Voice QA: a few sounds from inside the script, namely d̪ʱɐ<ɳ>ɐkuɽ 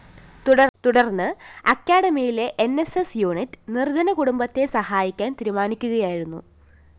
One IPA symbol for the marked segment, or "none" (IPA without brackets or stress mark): n